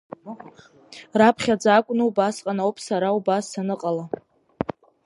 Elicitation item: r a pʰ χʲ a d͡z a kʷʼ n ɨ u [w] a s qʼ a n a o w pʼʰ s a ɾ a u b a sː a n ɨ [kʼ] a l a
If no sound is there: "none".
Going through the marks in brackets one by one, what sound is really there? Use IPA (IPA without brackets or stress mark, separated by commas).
b, qʼ